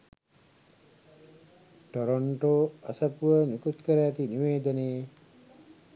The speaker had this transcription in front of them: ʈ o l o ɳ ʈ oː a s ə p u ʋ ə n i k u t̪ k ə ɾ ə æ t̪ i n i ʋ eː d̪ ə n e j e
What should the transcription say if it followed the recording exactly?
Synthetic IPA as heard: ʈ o ɾ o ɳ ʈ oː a s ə p u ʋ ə n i k u t̪ k ə ɾ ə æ t̪ i n i ʋ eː d̪ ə n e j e

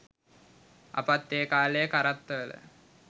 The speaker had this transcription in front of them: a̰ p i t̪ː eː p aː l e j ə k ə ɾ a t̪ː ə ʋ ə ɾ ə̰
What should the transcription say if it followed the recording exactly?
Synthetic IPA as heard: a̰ p a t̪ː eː k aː l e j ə k a ɾ a t̪ː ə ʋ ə l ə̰

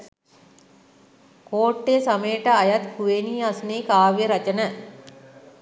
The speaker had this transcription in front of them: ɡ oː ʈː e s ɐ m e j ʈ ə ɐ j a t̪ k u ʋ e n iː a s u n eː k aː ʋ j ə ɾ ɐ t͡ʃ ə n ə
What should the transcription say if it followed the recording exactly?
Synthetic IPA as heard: k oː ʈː e s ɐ m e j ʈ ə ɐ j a t̪ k u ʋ e n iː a s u n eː k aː ʋ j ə ɾ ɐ t͡ʃ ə n ə

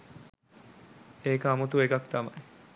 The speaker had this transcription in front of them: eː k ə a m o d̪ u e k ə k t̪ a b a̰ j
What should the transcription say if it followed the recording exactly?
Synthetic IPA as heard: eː k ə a m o t̪ u e k a k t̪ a m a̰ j

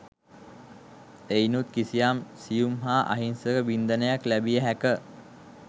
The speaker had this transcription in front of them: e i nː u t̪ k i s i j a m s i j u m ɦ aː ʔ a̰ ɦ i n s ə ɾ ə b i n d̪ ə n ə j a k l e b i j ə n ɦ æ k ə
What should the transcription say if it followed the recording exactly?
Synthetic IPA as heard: e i n u t̪ k i s i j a m s i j u m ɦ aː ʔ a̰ ɦ i n s ə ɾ ə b i n d̪ ə n ə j a k l æ b i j ə ɦ æ k ə

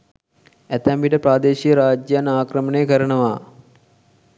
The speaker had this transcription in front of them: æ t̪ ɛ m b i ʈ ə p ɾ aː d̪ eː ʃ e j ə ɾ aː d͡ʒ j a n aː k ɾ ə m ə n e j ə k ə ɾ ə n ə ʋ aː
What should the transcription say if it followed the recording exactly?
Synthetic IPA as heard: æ t̪ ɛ m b i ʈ ə p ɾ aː d̪ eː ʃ i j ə ɾ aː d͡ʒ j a n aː k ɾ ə m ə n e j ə k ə ɾ ə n ə ʋ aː

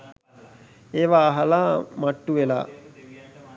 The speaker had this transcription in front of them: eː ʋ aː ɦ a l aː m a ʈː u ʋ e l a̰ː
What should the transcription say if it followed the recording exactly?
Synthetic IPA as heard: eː ʋ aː ɦ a l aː m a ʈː u ʋ e l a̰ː

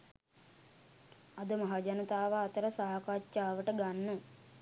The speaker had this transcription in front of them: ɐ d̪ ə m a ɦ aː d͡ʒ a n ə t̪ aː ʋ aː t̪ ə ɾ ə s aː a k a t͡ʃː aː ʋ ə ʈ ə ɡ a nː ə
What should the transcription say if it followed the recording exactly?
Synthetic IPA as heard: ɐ d̪ ə m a ɦ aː d͡ʒ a n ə t̪ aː ʋ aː t̪ ə ɾ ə s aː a k a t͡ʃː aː ʋ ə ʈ ə ɡ a nː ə

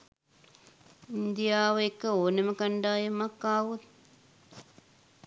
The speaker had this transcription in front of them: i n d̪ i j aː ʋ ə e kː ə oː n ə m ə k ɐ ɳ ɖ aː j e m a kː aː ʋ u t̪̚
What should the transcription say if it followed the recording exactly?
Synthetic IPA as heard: i n d̪ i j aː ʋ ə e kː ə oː n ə m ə k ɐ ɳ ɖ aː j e m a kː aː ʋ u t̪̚

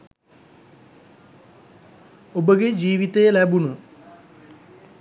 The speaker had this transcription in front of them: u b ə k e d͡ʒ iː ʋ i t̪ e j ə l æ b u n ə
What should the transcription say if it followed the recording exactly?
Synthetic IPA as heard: o b ə ɡ e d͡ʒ iː ʋ i t̪ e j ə l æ b u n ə

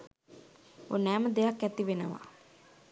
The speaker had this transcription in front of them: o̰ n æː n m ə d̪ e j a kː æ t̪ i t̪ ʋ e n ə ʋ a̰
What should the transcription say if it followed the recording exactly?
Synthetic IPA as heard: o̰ n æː m ə d̪ e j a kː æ t̪ i ʋ e n ə ʋ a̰

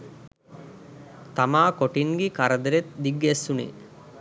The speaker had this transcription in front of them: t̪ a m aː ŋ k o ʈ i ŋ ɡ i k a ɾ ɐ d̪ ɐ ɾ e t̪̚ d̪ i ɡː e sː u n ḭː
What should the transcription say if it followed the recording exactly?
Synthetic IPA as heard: t̪ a m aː k o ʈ i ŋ ɡ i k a ɾ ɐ d̪ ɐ ɾ e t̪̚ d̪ i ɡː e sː u n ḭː

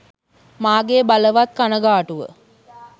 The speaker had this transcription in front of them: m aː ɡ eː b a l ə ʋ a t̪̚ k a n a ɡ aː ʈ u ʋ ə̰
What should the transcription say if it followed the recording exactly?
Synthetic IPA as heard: m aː ɡ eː b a l ə ʋ a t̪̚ k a n ə ɡ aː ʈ u ʋ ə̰

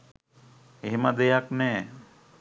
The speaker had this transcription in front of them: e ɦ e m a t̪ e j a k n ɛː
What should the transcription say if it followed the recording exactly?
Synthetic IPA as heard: e ɦ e m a d̪ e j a k n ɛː

